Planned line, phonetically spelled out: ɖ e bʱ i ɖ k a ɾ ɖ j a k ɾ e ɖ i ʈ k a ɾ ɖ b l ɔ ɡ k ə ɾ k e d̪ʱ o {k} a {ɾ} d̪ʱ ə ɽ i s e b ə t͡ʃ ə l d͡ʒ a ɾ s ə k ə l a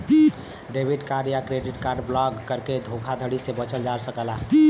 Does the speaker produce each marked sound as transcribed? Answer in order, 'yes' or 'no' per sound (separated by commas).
no, no